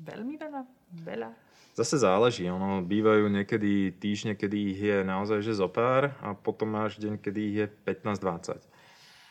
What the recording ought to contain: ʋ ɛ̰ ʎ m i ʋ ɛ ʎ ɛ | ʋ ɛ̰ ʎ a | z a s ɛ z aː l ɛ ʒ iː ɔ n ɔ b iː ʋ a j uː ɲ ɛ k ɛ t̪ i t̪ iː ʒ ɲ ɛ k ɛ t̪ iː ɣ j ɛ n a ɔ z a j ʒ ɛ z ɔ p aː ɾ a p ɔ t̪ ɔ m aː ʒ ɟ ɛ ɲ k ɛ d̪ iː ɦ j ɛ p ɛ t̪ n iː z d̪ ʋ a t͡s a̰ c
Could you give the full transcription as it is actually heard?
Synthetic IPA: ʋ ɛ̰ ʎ m i ʋ ɛ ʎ a | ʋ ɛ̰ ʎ a | z a s ɛ z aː l ɛ ʒ iː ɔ n ɔ b iː ʋ a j uː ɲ ɛ k ɛ d̪ i t̪ iː ʒ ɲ ɛ k ɛ d̪ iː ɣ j ɛ n a ɔ z a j ʒ ɛ z ɔ p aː ɾ a p ɔ t̪ ɔ m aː ʒ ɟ ɛ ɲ k ɛ d̪ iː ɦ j ɛ p ɛ t̪ n aː z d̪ ʋ a t͡s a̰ c